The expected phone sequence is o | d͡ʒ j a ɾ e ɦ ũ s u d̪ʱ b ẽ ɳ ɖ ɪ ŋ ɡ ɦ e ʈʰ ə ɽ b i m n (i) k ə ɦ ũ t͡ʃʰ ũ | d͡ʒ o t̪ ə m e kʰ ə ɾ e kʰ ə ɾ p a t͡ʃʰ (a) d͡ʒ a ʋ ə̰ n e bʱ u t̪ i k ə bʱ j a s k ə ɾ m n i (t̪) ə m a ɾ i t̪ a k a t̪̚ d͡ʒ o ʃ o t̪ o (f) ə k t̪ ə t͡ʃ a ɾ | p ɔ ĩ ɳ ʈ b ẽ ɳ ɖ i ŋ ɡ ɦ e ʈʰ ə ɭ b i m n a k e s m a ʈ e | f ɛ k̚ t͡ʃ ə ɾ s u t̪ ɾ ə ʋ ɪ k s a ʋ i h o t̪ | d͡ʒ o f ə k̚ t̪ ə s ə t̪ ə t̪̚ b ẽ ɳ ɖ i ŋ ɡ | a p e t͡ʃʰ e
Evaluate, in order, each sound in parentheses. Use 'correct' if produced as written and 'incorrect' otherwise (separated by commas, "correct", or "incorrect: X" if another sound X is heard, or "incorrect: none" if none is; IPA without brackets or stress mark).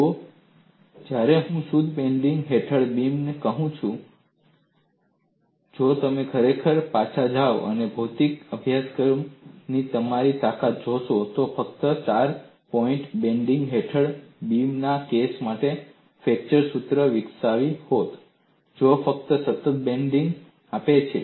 incorrect: e, correct, correct, correct